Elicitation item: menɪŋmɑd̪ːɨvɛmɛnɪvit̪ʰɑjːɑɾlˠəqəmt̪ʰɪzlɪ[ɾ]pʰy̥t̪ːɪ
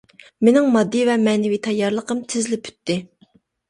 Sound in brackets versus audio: incorrect: none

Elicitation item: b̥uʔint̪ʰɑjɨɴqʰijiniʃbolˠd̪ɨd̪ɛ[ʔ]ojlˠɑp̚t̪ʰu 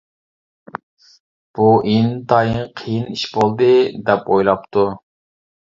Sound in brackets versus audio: incorrect: p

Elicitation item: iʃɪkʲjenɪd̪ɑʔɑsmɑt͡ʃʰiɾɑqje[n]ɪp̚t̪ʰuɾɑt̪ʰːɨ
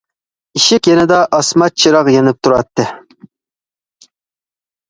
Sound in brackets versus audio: correct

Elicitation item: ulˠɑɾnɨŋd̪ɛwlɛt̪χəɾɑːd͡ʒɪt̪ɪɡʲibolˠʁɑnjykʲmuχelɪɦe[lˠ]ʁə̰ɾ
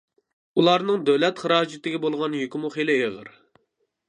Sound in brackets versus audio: incorrect: none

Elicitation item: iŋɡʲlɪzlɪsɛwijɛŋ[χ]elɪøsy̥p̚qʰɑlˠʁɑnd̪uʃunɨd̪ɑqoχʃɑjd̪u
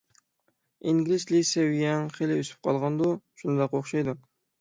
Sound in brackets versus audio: correct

